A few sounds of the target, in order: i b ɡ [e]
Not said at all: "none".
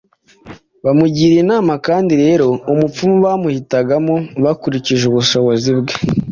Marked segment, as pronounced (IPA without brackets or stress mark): e